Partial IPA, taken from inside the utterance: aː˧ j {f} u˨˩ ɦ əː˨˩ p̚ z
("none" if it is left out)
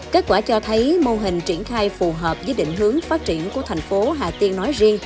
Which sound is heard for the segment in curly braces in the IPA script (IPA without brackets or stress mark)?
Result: f